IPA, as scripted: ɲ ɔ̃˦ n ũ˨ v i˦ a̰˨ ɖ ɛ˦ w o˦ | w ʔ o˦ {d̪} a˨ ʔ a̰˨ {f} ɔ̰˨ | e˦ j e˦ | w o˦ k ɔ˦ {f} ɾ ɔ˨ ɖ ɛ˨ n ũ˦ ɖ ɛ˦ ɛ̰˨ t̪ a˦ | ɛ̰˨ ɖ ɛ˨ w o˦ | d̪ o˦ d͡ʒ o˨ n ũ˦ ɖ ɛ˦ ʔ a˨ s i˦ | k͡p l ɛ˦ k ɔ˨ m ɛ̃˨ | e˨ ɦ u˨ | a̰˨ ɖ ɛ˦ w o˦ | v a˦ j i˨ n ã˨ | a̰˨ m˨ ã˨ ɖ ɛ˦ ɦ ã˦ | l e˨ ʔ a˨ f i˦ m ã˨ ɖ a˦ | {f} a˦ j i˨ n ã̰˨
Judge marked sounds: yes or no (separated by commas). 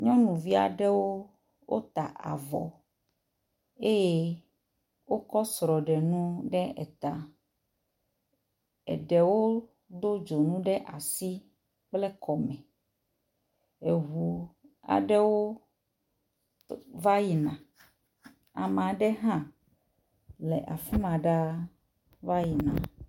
no, no, no, no